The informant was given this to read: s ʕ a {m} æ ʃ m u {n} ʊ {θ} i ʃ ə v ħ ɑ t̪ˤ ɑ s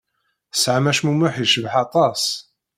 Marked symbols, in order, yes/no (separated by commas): yes, no, no